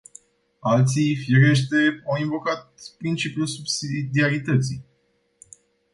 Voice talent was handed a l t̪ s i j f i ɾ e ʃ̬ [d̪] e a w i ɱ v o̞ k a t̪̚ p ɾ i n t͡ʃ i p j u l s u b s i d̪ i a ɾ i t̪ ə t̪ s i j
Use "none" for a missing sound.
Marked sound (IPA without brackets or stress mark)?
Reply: t̪